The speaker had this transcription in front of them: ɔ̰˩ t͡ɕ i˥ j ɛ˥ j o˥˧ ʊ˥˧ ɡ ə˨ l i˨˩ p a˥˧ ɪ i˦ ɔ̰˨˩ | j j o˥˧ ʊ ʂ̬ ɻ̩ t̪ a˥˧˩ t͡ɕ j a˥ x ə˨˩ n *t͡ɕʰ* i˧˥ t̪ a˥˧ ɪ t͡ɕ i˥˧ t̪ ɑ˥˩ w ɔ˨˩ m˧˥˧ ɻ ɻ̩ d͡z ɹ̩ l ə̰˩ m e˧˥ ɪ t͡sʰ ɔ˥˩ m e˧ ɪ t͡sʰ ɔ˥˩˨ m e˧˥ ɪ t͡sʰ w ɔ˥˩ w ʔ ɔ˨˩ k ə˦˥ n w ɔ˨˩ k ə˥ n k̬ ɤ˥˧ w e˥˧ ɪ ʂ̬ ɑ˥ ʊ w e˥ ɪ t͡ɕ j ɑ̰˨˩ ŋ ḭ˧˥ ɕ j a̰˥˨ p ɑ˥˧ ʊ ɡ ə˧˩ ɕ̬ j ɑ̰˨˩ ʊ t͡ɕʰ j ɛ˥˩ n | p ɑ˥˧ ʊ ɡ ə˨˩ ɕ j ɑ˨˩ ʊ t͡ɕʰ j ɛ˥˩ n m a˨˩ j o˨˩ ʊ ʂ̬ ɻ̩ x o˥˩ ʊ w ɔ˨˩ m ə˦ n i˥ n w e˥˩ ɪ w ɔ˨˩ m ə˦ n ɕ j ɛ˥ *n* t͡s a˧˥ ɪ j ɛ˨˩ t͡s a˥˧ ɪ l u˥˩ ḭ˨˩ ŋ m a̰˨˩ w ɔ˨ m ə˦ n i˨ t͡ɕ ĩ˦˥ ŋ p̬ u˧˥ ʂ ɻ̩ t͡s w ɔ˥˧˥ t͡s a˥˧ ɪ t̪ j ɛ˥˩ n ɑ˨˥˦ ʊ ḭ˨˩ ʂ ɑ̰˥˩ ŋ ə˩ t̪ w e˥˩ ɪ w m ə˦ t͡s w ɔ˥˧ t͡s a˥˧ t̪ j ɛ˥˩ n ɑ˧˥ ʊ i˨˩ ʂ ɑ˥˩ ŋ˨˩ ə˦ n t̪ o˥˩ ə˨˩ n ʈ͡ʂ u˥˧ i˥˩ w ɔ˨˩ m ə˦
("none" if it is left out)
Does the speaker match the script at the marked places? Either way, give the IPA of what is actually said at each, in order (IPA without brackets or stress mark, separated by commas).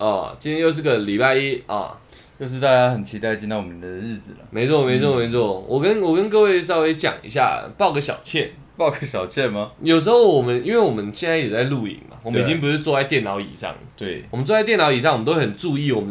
t͡ɕʰ, n